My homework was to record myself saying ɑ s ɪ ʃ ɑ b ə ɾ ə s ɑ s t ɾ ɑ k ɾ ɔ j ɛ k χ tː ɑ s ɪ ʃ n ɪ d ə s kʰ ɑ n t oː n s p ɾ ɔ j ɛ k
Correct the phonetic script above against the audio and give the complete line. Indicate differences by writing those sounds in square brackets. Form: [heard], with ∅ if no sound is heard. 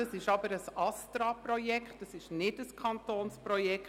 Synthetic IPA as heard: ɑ s ɪ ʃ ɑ b ə ɾ ə s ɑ s t ɾ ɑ [p] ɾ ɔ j ɛ k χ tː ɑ s ɪ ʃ n ɪ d ə s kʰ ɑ n t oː n s p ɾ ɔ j ɛ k

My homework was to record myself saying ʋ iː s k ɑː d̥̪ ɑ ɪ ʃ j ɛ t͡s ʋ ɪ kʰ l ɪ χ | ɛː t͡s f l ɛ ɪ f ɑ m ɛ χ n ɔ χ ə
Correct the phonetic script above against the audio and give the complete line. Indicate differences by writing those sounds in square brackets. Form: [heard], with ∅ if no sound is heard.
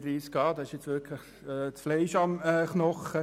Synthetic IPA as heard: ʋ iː s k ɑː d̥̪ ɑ ɪ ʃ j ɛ t͡s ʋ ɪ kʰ l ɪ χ | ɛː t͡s f l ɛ ɪ [ʃ] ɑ m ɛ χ n ɔ χ ə

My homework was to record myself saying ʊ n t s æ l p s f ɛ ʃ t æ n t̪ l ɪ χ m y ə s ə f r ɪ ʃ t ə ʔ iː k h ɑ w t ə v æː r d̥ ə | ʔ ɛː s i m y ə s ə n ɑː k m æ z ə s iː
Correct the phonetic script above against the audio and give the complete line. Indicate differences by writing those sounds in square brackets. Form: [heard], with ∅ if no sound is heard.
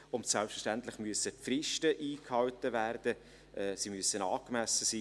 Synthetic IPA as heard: ʊ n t s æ l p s f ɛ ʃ t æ n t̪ l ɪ χ m y ə s ə f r ɪ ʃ t ə ʔ iː k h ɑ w t ə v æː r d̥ ə | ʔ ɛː s i m y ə s ə n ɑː k m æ [s] ə s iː

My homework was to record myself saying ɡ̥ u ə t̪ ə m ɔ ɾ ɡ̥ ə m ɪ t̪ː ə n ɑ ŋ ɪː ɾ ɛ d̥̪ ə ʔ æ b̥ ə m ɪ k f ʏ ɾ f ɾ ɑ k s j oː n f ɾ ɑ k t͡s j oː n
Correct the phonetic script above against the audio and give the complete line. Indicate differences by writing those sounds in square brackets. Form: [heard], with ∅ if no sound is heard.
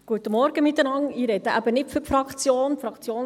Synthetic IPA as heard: ɡ̥ u ə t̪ ə m ɔ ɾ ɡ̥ ə m ɪ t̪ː ə n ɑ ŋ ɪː ɾ ɛ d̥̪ ə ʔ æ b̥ ə [n] ɪ [t] f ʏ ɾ f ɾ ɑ k [t͡s] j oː n f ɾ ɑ k t͡s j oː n

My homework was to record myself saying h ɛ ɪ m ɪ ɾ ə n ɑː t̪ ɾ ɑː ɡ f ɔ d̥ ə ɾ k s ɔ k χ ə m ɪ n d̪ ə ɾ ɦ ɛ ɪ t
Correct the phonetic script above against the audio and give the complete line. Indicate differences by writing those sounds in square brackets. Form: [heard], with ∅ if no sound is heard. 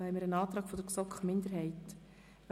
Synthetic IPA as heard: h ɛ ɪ m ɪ ɾ ə n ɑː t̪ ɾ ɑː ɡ f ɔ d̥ ə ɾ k s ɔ k χ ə m ɪ n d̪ ə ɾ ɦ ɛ ɪ t

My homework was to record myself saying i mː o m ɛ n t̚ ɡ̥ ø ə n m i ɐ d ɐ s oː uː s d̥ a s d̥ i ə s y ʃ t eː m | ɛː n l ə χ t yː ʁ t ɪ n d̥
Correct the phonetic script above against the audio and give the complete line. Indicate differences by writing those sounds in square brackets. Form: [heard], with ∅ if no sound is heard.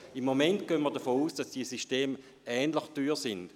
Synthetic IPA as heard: i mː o m ɛ n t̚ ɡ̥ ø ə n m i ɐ d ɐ [f] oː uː s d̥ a s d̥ i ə s [i] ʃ t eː m | ɛː n l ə χ t yː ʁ [s] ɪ n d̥

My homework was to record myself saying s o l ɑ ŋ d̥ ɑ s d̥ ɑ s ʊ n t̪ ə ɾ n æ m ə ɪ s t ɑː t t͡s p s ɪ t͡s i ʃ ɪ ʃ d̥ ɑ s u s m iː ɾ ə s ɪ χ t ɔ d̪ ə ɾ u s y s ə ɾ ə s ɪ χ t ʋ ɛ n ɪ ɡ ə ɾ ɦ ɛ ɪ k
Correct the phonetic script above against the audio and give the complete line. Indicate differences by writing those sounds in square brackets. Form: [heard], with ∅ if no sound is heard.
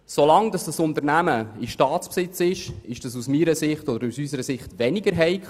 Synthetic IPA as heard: s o l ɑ ŋ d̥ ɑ s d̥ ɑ s ʊ n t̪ ə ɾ n æ m ə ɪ [ʃ] t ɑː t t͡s p s ɪ t͡s [ɪ] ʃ ɪ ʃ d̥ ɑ s u s m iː ɾ ə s ɪ χ t ɔ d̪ ə ɾ u s y s ə ɾ ə s ɪ χ t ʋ ɛ n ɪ ɡ ə ɾ ɦ ɛ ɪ k

